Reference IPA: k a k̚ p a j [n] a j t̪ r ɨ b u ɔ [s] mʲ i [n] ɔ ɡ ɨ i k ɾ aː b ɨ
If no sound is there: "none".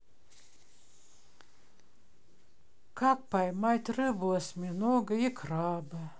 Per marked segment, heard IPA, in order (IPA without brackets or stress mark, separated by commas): m, s, n